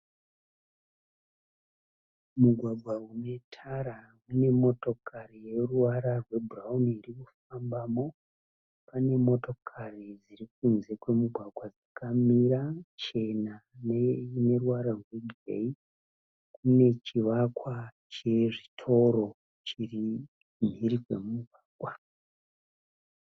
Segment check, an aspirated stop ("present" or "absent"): present